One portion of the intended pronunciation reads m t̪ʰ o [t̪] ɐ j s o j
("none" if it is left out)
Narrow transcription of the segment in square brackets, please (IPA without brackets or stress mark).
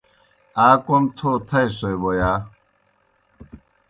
t̪ʰ